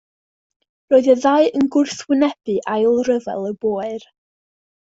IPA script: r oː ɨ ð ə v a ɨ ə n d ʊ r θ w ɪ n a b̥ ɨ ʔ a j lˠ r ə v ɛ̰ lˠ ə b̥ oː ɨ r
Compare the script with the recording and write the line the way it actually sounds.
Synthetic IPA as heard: r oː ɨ ð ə ð a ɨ ə n ɡ ʊ r θ w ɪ n ɛ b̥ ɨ ʔ a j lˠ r ə v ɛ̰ lˠ ə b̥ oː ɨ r